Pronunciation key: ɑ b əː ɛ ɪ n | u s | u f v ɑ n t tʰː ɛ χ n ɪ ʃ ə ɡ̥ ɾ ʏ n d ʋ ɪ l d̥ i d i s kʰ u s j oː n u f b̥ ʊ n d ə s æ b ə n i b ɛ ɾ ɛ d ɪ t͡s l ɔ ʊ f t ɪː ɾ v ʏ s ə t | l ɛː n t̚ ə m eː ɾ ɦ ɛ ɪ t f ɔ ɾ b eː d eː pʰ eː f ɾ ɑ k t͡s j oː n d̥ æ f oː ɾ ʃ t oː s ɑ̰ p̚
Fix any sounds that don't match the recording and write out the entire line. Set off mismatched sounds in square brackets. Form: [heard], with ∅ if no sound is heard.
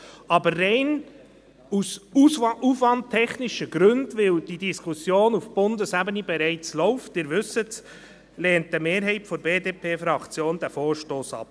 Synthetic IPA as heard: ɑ b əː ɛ ɪ n | u s | u f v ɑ n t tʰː ɛ χ n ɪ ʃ ə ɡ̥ ɾ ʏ n d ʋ ɪ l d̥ i d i s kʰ u s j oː n u f b̥ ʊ n d ə s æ b ə n i b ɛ ɾ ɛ [∅] ɪ t͡s l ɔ ʊ f t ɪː ɾ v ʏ s ə t | l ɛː n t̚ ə m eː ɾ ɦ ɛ ɪ t f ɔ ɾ b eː d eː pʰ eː f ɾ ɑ k t͡s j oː n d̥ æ f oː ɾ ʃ t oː s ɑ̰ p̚

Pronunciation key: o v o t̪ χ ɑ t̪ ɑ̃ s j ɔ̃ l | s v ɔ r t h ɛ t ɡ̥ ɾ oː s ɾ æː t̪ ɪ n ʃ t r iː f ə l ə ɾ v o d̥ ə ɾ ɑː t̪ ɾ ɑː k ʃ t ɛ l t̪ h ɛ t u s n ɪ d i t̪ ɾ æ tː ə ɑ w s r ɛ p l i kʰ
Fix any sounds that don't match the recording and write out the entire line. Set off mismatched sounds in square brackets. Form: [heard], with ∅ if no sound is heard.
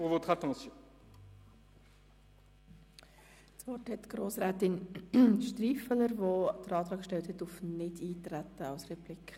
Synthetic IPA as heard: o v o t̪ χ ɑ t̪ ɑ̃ s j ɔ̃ [∅] | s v ɔ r t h ɛ t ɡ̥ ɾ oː s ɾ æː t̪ ɪ n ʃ t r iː f ə l ə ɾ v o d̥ ə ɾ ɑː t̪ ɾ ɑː k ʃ t ɛ l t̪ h ɛ t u [f] n ɪ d [iː] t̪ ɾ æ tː ə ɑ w s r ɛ p l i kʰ

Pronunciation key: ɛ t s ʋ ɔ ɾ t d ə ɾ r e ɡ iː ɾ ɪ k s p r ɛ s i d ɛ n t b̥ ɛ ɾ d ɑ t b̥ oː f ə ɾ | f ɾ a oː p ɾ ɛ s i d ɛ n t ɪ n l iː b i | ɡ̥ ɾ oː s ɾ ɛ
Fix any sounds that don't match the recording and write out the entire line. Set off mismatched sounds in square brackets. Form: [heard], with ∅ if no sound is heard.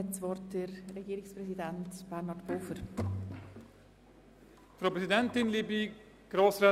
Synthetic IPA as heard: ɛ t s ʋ ɔ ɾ t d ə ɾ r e ɡ iː ɾ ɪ k s p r ɛ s i d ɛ n t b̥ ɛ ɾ [n] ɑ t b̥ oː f ə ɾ | f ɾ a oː p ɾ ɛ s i d ɛ n t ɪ n l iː b i | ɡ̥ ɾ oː s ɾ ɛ

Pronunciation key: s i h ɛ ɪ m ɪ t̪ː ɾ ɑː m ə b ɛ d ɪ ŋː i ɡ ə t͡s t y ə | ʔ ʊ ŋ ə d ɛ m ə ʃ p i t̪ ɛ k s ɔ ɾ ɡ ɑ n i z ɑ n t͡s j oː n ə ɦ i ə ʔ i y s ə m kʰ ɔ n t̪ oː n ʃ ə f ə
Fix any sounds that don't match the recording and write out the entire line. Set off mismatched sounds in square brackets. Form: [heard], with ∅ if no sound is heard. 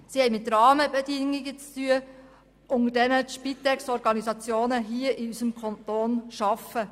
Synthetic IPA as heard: s i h ɛ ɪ m ɪ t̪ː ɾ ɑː m ə b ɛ d ɪ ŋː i ɡ ə t͡s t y ə | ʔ ʊ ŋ ə d ɛ [n] ə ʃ p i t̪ ɛ k s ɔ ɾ ɡ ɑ n i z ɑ [∅] t͡s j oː n ə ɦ i ə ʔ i y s ə m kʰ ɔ n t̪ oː n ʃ [ɑ] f ə

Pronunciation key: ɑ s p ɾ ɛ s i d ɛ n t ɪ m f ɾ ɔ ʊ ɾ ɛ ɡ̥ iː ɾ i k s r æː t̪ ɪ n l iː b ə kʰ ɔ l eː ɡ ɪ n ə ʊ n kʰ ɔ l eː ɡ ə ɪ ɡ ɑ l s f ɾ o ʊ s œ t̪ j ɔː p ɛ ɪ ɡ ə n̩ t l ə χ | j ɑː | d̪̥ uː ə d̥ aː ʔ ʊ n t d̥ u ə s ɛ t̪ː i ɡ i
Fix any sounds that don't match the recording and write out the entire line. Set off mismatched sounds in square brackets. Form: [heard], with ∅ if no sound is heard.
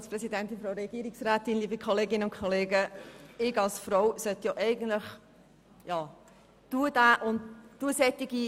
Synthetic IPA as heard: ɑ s p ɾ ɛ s i d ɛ n t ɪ [n] f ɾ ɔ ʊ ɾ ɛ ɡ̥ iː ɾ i k s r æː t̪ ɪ n l iː b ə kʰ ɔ l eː ɡ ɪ n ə ʊ n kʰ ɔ l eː ɡ ə ɪ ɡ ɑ l s f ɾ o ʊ s œ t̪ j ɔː [ʔ] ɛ ɪ ɡ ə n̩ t l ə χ | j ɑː | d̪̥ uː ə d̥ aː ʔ ʊ n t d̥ u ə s ɛ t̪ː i ɡ i

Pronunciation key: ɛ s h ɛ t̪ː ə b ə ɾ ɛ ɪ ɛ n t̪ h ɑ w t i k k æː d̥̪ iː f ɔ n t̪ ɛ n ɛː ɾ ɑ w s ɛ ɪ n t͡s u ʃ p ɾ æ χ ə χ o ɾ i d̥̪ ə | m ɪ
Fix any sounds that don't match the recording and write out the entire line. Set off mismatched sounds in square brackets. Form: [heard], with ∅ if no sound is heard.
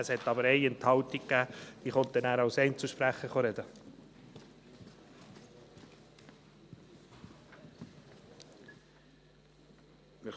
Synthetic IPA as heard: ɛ s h ɛ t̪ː [ɑ] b ə ɾ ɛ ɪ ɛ n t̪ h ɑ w t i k k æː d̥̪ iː [χ] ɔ n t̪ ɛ n [æː] ɾ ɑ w s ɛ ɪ n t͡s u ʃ p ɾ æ χ ə χ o ɾ [ɛ] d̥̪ ə | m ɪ

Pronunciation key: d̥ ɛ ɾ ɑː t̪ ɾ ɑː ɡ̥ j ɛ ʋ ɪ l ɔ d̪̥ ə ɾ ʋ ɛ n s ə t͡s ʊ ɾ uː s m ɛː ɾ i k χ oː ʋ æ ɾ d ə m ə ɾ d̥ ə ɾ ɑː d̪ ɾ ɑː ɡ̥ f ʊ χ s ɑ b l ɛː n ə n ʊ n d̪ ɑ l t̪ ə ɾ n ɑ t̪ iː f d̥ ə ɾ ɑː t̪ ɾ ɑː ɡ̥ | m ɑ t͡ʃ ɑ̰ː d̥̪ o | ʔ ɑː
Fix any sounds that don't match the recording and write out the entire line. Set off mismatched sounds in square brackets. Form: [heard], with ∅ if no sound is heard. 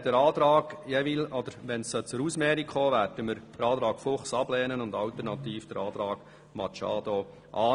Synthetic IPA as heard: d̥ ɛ ɾ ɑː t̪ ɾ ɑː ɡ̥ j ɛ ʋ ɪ l ɔ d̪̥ ə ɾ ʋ ɛ n s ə t͡s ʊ ɾ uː s m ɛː ɾ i k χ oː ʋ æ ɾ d ə m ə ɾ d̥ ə ɾ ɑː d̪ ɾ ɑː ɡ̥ f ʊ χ s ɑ b l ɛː n ə n ʊ n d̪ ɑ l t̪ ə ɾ n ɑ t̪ iː f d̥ ə ɾ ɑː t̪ ɾ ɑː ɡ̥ | m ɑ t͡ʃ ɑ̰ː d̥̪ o | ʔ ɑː

